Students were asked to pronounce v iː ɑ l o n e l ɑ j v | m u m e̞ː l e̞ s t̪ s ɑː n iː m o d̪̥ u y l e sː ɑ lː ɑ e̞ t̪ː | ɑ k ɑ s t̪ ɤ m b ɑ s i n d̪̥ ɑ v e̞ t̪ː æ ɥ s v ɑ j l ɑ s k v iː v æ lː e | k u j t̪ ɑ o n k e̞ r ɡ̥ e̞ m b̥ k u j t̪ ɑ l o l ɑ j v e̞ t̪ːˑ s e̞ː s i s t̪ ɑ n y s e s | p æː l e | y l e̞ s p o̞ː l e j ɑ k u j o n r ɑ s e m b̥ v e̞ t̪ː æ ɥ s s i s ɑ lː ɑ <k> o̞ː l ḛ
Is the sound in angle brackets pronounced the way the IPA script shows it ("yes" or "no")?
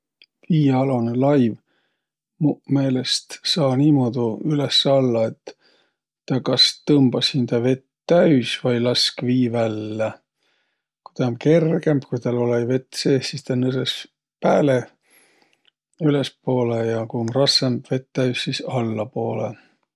no